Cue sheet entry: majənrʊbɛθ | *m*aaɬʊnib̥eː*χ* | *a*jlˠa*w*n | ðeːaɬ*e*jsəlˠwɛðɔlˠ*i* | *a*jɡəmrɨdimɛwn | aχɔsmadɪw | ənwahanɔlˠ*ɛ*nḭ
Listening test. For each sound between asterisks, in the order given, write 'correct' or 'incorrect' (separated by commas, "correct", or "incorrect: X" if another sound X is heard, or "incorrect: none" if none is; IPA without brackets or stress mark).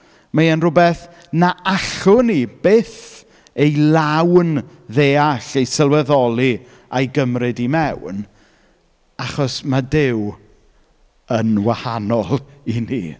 incorrect: n, incorrect: θ, incorrect: e, correct, correct, correct, correct, incorrect: i